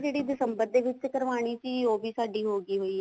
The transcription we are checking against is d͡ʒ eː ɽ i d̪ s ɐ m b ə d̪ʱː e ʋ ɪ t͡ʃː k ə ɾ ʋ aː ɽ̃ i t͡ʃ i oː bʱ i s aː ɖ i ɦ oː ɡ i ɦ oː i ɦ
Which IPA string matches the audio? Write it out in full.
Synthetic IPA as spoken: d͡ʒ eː ɽ i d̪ s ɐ m b ə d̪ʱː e ʋ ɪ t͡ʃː k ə ɾ ʋ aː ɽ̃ i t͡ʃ i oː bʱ i s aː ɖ i ɦ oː ɡ i ɦ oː i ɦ